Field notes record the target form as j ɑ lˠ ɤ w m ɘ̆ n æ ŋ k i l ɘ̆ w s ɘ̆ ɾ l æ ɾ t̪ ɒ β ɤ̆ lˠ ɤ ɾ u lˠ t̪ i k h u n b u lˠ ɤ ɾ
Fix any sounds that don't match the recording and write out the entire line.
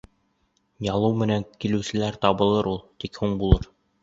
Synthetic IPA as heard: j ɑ lˠ ɤ w m ɘ̆ n æ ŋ k i l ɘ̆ w s ɘ̆ l æ ɾ t̪ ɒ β ɤ̆ lˠ ɤ ɾ u lˠ t̪ i k h u ɴ b u lˠ ɤ ɾ